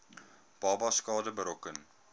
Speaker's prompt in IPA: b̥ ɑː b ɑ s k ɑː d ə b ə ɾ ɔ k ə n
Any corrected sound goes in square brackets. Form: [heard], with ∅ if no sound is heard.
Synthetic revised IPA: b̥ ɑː b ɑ s k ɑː d ə b ə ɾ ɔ k ə n

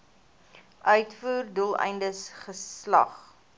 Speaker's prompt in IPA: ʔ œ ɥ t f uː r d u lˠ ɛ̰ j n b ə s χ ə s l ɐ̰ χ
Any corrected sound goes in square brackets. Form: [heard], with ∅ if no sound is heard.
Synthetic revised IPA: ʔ œ ɥ t f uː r d u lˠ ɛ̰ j n [d] ə s χ ə s l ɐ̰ χ

